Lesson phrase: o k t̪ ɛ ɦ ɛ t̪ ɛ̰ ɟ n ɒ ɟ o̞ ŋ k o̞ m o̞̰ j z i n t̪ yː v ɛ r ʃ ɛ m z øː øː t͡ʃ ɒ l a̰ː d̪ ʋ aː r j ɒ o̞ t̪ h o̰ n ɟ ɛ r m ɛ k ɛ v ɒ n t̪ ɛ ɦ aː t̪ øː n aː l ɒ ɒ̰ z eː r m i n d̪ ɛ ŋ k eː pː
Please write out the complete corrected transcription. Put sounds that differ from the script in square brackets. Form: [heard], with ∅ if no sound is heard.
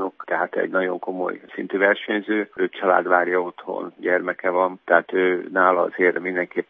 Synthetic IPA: o k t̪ ɛ ɦ [a] t̪ ɛ̰ ɟ n ɒ ɟ o̞ ŋ k o̞ m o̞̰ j [s] i n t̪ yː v ɛ r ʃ ɛ [ɲ] z øː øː t͡ʃ ɒ l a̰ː d̪ ʋ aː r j ɒ o̞ t̪ h o̰ n ɟ ɛ r m ɛ k ɛ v ɒ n t̪ ɛ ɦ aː t̪ øː n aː l ɒ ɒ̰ z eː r m i n d̪ ɛ ŋ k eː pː